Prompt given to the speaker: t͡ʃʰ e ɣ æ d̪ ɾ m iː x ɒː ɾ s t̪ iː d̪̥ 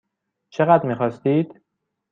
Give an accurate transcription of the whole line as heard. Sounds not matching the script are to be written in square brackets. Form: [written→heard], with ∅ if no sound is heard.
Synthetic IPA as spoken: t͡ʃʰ e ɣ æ d̪ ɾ m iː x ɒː [ɾ→∅] s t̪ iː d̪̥